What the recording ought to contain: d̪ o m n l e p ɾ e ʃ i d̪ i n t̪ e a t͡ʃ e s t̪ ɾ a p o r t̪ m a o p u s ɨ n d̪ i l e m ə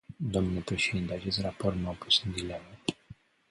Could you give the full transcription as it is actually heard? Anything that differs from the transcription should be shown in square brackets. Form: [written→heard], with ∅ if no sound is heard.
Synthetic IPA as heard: d̪ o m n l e p ɾ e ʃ [i→e] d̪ i n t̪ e a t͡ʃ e s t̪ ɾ a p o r t̪ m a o p u s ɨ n d̪ i l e m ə